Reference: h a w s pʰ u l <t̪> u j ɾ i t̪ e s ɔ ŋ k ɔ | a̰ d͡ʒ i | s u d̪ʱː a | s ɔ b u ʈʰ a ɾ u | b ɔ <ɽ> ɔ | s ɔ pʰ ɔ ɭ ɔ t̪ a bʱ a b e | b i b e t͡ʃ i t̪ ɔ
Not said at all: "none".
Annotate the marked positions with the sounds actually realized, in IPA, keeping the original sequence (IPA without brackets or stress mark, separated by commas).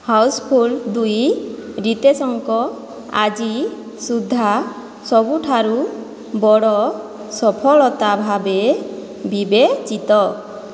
d̪, ɽ